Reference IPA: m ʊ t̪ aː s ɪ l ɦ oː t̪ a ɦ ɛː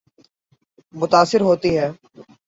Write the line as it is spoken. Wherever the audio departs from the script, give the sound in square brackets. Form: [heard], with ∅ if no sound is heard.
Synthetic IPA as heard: m ʊ t̪ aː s ɪ [ɾ] ɦ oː t̪ [i] ɦ ɛː

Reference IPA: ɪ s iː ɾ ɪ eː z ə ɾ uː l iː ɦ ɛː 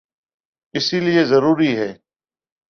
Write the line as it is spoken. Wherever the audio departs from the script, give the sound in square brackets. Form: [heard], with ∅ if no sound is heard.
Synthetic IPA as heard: ɪ s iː [l] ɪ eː z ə ɾ uː [ɾ] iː ɦ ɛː

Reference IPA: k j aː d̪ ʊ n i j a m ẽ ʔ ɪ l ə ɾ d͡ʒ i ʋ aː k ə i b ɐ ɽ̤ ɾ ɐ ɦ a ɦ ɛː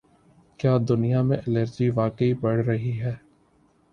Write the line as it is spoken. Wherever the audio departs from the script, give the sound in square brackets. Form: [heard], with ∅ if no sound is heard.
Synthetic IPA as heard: k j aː d̪ ʊ n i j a m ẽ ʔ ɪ l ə ɾ d͡ʒ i ʋ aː k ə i b ɐ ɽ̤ ɾ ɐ ɦ [i] ɦ ɛː

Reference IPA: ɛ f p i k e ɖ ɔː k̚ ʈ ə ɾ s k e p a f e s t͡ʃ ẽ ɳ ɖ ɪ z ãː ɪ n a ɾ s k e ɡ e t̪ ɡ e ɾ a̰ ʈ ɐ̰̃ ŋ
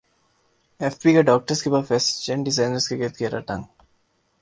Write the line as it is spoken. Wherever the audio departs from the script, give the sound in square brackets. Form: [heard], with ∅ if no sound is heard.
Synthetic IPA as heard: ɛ f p i k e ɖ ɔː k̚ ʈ ə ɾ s k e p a f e s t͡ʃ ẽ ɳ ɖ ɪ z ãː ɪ n [ə] ɾ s k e ɡ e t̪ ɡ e ɾ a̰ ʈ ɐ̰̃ ŋ

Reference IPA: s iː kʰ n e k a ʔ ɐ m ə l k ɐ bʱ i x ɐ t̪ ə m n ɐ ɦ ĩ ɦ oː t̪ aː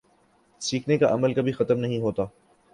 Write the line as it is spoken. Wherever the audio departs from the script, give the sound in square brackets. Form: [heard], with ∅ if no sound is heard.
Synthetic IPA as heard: s iː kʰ n e k a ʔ ɐ m ə l k ɐ bʱ i x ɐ t̪ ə m n ɐ ɦ ĩ ɦ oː t̪ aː

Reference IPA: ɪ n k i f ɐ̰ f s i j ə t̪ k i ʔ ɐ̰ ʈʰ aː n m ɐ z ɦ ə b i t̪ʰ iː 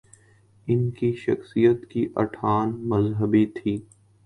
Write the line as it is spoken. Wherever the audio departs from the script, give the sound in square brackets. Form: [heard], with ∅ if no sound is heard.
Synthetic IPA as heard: ɪ n k i [ʃ] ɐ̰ [x] s i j ə t̪ k i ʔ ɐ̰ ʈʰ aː n m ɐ z ɦ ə b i t̪ʰ iː

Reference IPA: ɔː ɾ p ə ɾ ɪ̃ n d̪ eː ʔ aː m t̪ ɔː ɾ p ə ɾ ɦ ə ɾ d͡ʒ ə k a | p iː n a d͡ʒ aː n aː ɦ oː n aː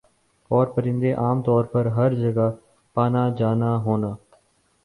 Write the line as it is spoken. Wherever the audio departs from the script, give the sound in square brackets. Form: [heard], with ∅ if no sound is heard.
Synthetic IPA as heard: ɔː ɾ p ə ɾ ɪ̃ n d̪ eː ʔ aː m t̪ ɔː ɾ p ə ɾ ɦ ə ɾ d͡ʒ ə [ɡ] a | p [aː] n a d͡ʒ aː n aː ɦ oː n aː

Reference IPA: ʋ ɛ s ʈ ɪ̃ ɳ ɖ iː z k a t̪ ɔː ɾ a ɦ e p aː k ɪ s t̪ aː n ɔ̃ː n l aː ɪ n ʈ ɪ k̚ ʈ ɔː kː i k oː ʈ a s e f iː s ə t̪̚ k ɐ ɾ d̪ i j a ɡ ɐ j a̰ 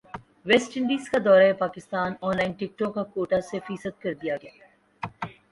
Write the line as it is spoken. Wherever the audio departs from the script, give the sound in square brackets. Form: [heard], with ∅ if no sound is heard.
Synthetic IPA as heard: ʋ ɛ s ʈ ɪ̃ ɳ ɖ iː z k a [d̪] ɔː ɾ a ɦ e p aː k ɪ s t̪ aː n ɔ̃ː n l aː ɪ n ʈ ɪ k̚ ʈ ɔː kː [a] k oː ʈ a s e f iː s ə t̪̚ k ɐ ɾ d̪ i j a ɡ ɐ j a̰

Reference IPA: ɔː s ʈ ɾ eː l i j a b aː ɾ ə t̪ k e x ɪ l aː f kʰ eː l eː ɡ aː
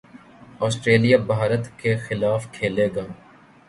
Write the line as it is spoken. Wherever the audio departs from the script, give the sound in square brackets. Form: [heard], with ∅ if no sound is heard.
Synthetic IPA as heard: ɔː s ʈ ɾ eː l i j a b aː ɾ ə t̪ k e x ɪ l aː f kʰ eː l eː ɡ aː

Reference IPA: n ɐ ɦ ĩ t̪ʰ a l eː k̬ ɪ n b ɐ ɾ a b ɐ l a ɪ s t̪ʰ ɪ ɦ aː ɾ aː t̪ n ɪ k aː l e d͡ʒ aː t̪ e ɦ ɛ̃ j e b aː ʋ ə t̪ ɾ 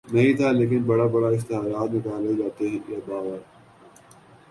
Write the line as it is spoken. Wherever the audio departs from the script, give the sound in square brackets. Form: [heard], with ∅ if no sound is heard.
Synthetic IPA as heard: n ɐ ɦ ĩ t̪ʰ a l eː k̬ ɪ n b ɐ [ɽ] a b ɐ [ɽ] a ɪ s [t̪] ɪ ɦ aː ɾ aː t̪ n ɪ k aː l e d͡ʒ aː t̪ e ɦ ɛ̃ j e b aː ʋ ə [∅] ɾ

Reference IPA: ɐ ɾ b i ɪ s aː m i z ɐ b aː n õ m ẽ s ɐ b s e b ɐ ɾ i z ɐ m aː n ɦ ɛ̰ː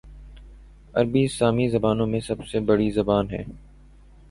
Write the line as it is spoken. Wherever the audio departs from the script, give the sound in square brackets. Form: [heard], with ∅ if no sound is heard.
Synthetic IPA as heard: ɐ ɾ b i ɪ s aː m i z ɐ b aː n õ m ẽ s ɐ b s e b ɐ [ɽ] i z ɐ [b] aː n ɦ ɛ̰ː

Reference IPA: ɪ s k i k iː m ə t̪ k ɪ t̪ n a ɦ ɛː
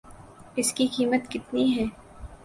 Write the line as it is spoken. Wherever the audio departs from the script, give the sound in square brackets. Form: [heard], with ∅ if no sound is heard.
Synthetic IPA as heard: ɪ s k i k iː m ə t̪ k ɪ t̪ n [i] ɦ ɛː

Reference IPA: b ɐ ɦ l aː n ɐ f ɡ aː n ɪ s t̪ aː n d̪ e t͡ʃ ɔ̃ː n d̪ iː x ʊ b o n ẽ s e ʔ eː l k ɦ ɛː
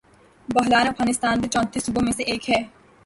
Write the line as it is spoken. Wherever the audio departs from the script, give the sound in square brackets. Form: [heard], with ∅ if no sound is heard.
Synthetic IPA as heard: b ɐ ɦ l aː n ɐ f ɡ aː n ɪ s t̪ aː n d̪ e t͡ʃ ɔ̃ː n [t̪] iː [s] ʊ b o [m] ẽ s e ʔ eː [∅] k ɦ ɛː

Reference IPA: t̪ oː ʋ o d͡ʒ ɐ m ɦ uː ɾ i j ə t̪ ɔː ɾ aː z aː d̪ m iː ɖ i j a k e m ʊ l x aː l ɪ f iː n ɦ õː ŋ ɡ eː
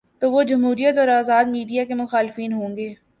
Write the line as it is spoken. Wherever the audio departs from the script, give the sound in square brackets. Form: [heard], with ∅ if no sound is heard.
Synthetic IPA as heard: t̪ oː ʋ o d͡ʒ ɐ m ɦ uː ɾ i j ə t̪ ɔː ɾ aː z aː d̪ m iː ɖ i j a k e m ʊ [∅] x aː l ɪ f iː n ɦ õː ŋ ɡ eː

